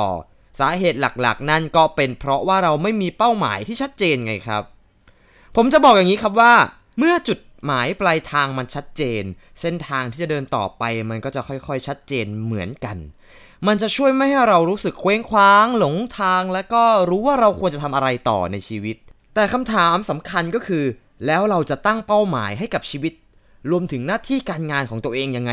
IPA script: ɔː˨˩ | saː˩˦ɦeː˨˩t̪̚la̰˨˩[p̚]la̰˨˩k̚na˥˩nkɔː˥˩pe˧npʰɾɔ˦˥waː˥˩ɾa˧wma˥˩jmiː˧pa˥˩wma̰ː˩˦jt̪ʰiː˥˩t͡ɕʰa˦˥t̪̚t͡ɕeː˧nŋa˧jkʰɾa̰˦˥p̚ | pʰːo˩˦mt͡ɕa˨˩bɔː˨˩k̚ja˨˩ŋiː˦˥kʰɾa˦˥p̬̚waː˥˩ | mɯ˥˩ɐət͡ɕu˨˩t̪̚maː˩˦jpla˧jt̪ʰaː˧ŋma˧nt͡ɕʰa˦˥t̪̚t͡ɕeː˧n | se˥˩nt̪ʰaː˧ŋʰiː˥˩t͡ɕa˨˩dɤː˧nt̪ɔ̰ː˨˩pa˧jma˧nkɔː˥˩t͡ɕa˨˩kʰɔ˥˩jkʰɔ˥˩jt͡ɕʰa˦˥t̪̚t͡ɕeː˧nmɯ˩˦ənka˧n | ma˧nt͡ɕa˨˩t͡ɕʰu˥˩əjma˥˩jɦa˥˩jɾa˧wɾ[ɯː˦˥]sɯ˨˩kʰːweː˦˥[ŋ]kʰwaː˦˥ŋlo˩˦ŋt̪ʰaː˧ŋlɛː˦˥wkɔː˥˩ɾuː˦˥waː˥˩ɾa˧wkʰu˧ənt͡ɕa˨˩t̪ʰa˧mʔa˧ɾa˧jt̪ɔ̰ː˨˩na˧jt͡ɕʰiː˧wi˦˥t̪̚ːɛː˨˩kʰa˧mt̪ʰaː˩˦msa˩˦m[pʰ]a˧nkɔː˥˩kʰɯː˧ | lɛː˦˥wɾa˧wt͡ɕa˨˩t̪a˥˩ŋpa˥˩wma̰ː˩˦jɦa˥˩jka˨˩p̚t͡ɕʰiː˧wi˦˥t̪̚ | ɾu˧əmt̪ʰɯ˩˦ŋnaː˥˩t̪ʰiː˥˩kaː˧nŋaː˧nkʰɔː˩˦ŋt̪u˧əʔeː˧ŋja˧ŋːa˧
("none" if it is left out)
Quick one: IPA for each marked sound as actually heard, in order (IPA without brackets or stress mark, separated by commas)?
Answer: k̚, uː˦˥, ŋ, kʰ